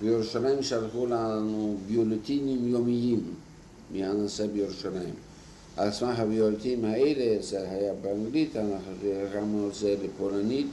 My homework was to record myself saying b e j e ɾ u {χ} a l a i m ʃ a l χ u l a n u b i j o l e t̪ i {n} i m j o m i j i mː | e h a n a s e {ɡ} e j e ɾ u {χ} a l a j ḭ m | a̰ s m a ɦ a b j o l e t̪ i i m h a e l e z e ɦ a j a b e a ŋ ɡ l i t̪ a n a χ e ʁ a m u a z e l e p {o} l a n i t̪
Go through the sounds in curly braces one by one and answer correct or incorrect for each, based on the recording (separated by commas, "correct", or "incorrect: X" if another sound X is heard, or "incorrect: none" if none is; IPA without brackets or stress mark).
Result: incorrect: ʃ, correct, incorrect: b, incorrect: ʃ, correct